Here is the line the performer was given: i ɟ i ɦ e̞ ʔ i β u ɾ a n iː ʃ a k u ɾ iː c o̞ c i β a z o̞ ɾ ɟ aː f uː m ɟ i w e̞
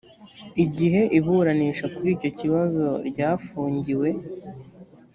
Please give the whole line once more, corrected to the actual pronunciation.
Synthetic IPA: i ɟ i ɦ e̞ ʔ i β u ɾ a n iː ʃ a k u ɾ iː c o̞ c i β a z o̞ ɾ ɟ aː f uː ɲ ɟ i w e̞